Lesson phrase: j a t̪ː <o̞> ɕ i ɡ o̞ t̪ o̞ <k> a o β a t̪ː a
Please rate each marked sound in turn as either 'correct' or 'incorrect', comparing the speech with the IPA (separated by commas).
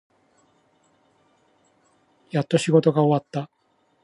correct, incorrect